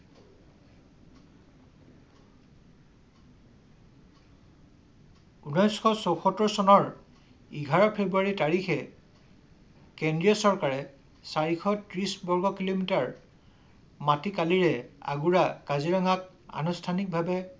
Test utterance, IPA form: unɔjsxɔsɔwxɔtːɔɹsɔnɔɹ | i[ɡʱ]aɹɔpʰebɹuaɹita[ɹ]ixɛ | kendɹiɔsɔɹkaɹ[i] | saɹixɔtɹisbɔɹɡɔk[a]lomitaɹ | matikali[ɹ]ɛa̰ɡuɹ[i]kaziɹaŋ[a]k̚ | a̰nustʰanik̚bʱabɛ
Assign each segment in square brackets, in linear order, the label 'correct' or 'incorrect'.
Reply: correct, correct, incorrect, incorrect, correct, incorrect, correct

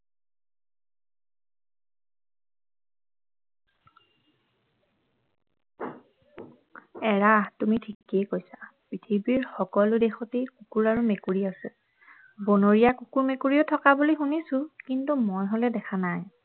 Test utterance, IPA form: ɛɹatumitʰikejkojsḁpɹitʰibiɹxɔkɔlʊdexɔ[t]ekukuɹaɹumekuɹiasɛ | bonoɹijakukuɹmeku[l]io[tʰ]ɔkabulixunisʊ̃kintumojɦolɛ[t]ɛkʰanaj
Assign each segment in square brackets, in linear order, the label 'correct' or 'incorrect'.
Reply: correct, incorrect, correct, incorrect

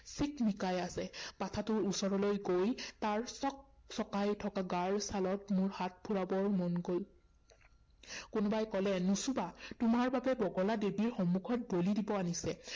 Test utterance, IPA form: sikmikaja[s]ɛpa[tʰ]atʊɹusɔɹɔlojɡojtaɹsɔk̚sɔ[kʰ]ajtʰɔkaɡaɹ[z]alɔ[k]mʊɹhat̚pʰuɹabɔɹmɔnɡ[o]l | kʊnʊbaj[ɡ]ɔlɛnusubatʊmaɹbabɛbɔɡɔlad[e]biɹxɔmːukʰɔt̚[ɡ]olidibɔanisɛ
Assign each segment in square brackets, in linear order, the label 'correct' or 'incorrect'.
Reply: correct, correct, incorrect, incorrect, incorrect, correct, incorrect, correct, incorrect

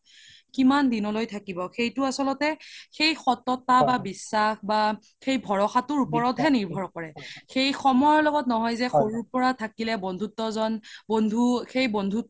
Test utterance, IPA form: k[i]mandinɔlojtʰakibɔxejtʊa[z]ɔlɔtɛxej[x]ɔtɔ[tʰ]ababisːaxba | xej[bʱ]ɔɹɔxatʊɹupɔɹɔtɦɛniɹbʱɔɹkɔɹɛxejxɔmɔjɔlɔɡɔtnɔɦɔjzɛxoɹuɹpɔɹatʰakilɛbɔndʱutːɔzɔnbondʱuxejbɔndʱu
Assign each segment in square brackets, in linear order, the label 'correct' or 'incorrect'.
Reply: correct, incorrect, correct, incorrect, correct

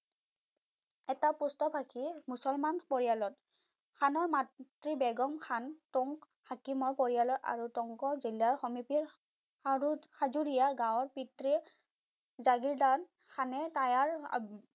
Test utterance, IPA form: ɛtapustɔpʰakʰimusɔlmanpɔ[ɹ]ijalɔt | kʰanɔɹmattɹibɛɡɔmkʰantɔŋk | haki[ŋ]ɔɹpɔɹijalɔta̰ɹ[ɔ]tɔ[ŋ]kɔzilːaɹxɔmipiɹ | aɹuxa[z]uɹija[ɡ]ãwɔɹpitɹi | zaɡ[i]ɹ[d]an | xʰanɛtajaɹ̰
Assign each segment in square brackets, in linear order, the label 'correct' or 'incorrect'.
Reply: correct, incorrect, incorrect, correct, correct, correct, correct, correct

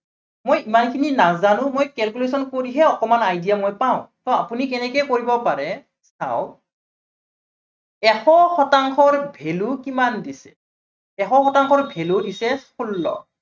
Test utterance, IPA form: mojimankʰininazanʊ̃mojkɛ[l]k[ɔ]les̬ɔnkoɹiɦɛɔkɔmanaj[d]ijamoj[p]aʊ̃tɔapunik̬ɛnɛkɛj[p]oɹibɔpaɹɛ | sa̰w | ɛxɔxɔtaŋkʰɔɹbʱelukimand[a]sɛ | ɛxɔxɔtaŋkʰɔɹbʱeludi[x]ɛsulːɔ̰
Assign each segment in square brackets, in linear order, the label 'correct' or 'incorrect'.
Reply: correct, incorrect, correct, correct, incorrect, incorrect, incorrect

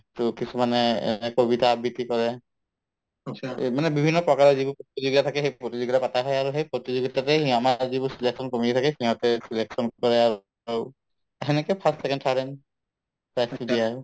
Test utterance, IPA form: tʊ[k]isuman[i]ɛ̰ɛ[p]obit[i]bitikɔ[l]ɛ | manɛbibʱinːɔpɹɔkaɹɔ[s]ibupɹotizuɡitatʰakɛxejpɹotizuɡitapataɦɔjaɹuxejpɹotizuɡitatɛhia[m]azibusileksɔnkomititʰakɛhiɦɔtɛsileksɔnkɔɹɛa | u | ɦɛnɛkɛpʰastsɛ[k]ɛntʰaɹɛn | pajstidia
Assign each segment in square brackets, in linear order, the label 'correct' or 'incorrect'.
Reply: correct, incorrect, incorrect, incorrect, incorrect, incorrect, correct, correct

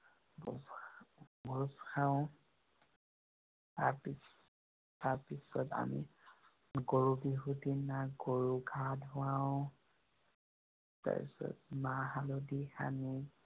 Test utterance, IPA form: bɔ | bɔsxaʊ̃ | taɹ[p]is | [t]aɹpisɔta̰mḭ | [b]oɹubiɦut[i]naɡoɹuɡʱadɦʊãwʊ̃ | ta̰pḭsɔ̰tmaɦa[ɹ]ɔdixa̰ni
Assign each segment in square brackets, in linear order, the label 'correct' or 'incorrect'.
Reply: correct, correct, incorrect, correct, incorrect

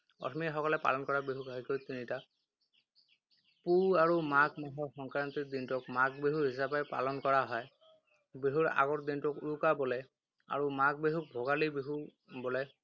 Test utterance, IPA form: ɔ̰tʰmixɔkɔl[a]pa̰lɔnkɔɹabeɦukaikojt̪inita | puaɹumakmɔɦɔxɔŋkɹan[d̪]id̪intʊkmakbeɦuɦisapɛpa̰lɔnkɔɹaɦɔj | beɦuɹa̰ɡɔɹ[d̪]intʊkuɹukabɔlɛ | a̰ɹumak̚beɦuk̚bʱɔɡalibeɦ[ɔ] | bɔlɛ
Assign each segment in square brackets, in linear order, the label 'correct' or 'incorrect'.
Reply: incorrect, incorrect, correct, incorrect

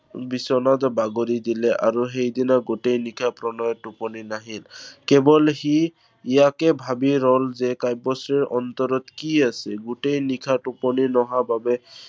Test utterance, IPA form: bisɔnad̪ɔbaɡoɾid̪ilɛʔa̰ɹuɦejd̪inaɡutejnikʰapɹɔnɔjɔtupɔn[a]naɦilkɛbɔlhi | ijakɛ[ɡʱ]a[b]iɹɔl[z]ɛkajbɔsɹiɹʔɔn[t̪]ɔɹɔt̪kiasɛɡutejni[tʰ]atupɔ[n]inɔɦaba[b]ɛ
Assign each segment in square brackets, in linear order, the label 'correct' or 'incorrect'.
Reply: incorrect, incorrect, correct, correct, correct, incorrect, correct, correct

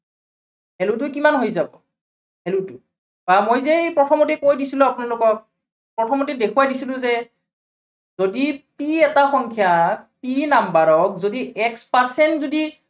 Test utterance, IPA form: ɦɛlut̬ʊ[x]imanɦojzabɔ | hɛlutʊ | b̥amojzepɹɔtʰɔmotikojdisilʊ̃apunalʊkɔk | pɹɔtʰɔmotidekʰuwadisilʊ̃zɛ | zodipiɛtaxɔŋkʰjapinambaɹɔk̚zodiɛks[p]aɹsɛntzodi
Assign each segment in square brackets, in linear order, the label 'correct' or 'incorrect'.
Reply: incorrect, correct

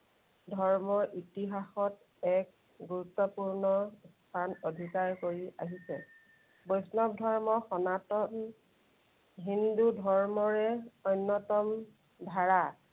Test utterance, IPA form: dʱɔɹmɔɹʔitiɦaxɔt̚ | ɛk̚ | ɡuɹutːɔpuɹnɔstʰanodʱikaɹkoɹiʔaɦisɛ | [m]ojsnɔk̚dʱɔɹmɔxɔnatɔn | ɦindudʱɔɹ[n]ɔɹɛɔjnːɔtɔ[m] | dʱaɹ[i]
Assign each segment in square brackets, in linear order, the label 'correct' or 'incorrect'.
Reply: incorrect, incorrect, correct, incorrect

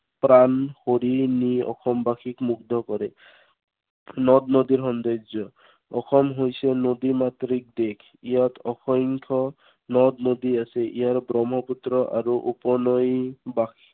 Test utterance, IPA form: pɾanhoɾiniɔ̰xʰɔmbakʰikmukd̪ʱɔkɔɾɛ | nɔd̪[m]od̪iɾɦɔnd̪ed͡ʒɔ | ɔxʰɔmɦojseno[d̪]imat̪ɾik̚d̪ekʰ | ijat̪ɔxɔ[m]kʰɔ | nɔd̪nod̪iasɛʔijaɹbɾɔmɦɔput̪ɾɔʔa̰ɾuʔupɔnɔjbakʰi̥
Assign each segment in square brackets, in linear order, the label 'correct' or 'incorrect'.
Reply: incorrect, correct, incorrect

